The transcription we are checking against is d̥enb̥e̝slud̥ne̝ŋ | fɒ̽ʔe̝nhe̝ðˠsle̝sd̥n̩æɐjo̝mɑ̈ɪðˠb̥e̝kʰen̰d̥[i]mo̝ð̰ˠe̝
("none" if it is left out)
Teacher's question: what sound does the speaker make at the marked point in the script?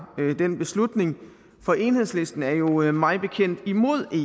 i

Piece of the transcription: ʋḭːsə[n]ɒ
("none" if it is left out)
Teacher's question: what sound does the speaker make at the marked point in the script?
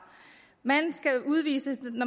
n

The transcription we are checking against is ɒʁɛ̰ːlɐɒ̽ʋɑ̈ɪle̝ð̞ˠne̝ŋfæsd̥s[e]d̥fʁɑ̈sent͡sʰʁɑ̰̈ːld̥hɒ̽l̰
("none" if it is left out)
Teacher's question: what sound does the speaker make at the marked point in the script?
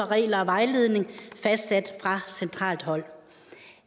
æ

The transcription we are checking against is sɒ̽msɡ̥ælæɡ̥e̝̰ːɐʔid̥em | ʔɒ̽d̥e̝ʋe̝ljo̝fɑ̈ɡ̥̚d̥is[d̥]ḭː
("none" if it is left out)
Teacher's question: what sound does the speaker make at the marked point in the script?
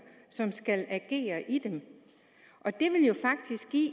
ɡ̥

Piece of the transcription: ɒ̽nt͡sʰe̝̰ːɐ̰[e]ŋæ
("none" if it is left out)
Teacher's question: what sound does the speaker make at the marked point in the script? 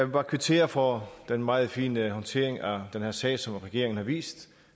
e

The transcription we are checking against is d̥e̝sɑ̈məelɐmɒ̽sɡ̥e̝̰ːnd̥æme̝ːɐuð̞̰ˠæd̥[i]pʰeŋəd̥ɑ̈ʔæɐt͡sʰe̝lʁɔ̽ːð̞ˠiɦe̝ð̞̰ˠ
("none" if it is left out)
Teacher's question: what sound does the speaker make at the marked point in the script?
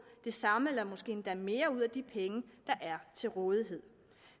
i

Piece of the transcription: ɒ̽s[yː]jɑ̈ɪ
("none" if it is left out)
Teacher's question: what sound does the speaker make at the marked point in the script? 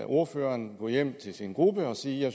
iː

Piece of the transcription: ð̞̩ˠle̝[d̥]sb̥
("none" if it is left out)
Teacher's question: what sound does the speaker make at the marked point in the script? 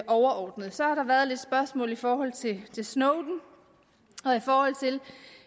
d̥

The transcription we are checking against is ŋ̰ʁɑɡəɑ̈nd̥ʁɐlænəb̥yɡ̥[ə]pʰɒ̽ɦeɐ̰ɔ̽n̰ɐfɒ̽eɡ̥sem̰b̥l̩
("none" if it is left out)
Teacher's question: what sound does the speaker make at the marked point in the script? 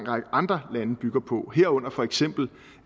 ɐ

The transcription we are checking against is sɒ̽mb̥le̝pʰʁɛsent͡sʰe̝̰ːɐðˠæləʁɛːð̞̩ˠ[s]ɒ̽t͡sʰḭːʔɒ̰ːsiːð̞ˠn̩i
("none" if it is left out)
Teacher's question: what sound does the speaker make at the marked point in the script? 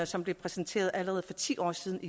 f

